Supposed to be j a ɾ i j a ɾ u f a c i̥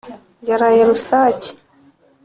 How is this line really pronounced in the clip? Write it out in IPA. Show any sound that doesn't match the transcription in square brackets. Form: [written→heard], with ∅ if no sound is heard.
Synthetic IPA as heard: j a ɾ [i→a] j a ɾ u [f→s] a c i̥